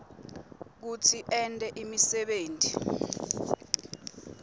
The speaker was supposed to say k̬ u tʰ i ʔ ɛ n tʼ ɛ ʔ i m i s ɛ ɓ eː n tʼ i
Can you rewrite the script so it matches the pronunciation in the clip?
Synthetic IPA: k̬ u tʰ i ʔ ɛ n tʼ ɛ ʔ i m i s ɛ ɓ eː n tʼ i